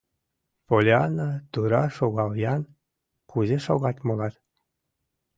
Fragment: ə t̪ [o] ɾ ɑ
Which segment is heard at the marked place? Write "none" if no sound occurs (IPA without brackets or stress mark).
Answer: u